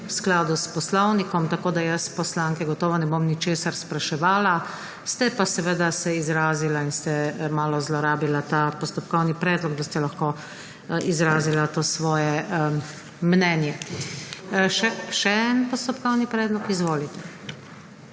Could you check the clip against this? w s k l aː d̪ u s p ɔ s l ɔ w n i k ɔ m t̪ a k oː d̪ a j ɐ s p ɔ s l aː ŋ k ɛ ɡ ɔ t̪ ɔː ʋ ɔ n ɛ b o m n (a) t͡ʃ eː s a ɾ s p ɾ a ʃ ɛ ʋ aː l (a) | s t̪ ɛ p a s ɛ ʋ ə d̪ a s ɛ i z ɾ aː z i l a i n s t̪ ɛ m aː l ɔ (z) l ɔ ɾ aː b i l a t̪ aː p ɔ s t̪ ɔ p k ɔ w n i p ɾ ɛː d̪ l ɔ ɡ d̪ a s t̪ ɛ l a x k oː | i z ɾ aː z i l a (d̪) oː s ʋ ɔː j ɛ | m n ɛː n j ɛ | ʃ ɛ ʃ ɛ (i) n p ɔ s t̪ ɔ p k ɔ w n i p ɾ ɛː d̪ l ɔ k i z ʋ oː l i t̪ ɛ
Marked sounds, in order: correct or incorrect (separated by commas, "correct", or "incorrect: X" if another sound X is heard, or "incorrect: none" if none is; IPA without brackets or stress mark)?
incorrect: i, correct, correct, incorrect: t̪, incorrect: ɛ